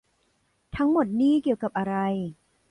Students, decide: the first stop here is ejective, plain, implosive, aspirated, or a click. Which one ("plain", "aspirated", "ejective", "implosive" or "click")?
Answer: aspirated